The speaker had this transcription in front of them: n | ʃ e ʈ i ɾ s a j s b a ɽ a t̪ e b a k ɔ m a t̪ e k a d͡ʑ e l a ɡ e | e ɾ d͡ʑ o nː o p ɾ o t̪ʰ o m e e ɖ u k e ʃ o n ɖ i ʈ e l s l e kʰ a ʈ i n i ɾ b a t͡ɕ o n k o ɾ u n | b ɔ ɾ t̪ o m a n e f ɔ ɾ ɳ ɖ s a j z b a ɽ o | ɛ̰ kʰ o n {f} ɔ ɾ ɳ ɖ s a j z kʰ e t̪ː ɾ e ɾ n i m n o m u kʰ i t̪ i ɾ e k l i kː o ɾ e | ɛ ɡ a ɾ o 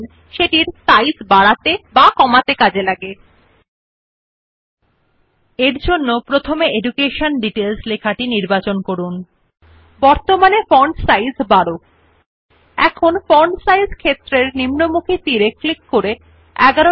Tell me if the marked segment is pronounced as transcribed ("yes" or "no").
yes